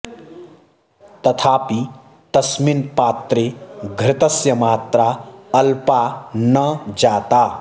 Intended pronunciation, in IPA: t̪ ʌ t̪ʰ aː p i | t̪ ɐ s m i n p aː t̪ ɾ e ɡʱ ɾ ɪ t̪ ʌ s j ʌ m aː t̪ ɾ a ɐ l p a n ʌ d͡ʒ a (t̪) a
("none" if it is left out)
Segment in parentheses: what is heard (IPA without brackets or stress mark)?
t̪